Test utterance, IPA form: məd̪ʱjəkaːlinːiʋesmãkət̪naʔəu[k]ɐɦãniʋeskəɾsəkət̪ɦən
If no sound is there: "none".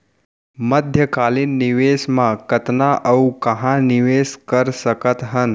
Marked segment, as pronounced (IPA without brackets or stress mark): k